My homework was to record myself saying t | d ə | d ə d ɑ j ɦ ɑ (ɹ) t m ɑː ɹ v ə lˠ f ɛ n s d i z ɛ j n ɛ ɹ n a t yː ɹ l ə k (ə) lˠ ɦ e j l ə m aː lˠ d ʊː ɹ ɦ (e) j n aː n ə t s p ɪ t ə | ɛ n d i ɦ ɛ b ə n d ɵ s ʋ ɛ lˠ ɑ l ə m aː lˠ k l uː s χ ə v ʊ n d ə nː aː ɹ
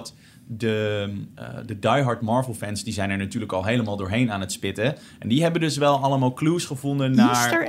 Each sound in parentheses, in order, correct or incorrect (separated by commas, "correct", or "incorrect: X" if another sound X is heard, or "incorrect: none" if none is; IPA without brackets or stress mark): correct, incorrect: ɑ, correct